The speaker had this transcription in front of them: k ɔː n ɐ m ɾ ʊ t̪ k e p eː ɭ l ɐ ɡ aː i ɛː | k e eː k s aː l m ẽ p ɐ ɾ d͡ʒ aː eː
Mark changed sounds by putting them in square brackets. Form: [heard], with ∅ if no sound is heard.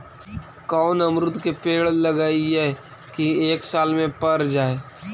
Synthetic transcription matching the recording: k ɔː n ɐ m ɾ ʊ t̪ k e p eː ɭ l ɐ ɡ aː i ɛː | k [i] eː k s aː l m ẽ p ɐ ɾ d͡ʒ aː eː